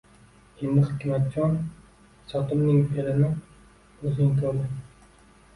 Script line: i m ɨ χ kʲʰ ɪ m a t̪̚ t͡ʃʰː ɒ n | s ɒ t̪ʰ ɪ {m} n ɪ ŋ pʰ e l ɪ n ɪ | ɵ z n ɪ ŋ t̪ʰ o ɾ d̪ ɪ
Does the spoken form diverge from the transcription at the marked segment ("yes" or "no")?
no